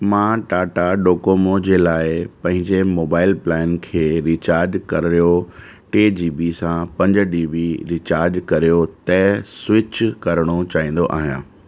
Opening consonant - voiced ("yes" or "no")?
yes